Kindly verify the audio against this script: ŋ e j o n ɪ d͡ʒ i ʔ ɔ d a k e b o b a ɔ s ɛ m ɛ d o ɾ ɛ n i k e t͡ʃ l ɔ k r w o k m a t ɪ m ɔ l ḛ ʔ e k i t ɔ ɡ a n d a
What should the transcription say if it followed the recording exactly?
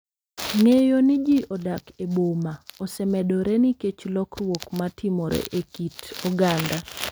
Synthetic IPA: ŋ e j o n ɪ d͡ʒ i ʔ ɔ d a k e b o m a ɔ s ɛ m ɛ d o ɾ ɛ n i k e t͡ʃ l ɔ k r w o k m a t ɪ m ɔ ɾ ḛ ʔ e k i t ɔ ɡ a n d a